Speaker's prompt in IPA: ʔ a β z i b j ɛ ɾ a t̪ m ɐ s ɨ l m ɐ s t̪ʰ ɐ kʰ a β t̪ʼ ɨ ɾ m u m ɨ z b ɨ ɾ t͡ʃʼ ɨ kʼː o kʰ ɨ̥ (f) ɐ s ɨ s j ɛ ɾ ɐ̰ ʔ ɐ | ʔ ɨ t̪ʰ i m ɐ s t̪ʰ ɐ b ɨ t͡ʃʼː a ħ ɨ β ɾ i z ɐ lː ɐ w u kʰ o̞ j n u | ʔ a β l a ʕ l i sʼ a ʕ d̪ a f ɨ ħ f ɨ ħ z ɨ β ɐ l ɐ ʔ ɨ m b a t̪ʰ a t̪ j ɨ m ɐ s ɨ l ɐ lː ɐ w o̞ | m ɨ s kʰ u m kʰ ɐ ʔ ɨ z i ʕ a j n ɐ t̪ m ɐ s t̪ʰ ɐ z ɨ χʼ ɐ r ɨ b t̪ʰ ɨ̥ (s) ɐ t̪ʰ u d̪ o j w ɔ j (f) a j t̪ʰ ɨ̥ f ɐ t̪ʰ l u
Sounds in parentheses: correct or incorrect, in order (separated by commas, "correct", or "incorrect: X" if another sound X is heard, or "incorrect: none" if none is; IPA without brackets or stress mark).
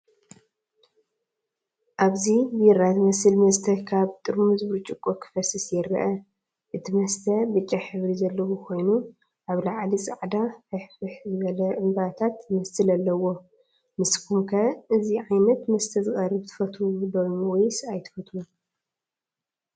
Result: correct, incorrect: f, incorrect: s